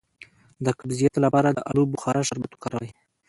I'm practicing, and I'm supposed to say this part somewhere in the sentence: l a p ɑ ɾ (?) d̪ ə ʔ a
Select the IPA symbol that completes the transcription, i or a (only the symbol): a